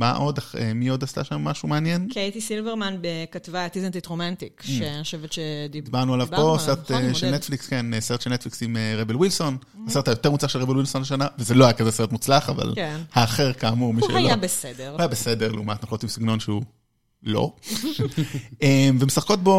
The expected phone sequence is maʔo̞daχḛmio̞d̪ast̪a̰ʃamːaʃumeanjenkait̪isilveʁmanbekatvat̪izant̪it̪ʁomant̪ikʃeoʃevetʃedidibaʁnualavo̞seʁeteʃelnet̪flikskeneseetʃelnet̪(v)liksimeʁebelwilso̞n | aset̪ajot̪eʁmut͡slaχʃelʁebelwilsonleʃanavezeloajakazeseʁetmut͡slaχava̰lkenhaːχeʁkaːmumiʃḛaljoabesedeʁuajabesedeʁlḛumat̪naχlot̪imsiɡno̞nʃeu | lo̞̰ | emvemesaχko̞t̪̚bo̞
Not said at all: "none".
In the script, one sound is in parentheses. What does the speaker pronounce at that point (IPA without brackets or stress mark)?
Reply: f